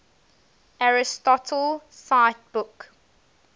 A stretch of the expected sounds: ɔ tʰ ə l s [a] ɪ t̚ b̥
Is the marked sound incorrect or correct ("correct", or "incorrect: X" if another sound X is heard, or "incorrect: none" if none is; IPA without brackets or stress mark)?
correct